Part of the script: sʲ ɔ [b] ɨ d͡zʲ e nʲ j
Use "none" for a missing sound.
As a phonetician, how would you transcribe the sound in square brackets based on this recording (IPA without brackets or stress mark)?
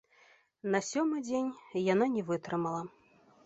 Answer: m